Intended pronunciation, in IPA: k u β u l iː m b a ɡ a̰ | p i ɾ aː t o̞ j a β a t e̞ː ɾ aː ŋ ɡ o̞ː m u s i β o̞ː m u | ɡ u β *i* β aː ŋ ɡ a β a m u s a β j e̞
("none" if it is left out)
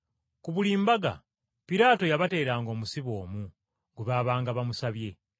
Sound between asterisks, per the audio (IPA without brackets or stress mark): a